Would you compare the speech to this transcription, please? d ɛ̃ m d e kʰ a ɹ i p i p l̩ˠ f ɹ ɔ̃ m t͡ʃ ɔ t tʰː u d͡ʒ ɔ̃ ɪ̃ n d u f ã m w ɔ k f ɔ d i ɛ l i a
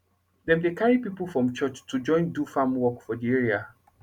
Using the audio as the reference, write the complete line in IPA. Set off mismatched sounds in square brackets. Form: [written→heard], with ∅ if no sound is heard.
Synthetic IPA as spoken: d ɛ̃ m d e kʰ a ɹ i p i p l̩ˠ f ɹ ɔ̃ m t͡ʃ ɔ [t→t͡ʃ] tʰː u d͡ʒ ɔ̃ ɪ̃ n d u f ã m w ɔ k f ɔ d i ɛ [l→ɹ] i a